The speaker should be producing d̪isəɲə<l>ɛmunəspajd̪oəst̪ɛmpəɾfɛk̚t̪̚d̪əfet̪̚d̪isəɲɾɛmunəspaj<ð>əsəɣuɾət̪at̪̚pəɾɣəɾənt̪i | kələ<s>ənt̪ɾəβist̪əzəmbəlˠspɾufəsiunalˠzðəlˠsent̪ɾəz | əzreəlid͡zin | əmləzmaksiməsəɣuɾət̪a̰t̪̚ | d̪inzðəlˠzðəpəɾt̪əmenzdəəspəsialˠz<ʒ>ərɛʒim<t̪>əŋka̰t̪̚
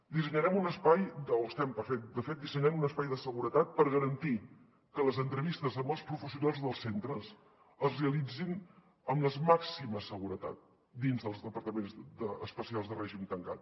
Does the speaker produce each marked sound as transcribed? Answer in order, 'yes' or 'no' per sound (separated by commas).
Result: no, yes, no, no, yes